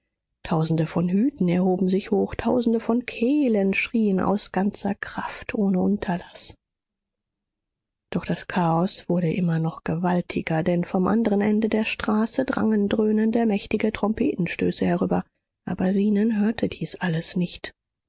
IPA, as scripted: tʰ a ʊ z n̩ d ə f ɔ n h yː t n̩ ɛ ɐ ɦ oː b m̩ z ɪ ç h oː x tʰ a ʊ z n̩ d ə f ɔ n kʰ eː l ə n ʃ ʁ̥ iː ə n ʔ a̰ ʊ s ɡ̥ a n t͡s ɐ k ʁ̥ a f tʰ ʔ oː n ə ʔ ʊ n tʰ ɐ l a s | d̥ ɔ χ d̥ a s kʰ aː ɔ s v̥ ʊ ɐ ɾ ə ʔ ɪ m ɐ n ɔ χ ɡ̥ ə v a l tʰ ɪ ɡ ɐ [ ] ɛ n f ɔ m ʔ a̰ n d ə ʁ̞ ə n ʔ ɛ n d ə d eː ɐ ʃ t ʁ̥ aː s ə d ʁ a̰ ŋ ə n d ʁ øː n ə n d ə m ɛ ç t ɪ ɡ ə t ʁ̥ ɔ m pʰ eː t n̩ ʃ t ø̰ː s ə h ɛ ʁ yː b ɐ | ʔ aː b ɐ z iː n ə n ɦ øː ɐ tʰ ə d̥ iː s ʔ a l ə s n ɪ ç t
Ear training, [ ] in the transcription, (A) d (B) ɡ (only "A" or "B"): A